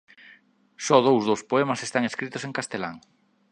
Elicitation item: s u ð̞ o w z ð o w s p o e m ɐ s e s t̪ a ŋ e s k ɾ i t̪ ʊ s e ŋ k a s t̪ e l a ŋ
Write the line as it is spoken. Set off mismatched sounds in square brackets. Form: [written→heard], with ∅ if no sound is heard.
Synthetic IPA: s [u→ɔ] ð̞ o w z ð o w s p o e m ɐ s e s t̪ a ŋ e s k ɾ i t̪ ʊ s e ŋ k a s t̪ e l a ŋ